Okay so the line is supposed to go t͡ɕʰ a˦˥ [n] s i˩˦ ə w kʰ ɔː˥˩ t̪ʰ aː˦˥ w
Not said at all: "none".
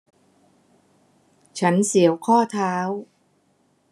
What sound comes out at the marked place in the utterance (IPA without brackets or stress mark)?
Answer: n